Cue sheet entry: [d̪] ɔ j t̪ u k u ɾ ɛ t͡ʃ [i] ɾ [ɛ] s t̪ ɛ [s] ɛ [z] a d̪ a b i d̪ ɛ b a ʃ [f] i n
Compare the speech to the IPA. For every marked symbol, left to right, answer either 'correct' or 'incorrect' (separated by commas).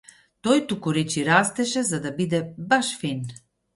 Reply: incorrect, correct, incorrect, incorrect, correct, correct